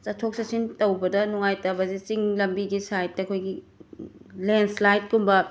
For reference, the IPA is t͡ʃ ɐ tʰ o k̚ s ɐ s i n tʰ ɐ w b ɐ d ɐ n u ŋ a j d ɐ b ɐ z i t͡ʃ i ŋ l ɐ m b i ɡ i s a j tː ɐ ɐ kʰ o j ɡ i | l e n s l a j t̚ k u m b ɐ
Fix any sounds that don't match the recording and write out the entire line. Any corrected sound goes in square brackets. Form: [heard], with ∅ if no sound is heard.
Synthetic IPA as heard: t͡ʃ ɐ tʰ o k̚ s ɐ s i n [t] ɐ w b ɐ d ɐ n u ŋ a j [t] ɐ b ɐ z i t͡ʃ i ŋ l ɐ m b i ɡ i s a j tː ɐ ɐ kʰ o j ɡ i | l e n s l a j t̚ k u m b ɐ